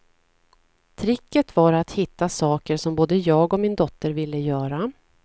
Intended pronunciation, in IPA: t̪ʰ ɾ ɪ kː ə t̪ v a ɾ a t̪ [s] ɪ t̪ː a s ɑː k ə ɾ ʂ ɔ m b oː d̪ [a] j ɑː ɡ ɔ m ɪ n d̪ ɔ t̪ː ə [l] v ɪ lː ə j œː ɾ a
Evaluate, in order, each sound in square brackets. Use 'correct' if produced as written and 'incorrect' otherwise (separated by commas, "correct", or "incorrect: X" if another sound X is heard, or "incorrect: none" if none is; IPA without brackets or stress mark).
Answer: incorrect: h, incorrect: ə, incorrect: ɾ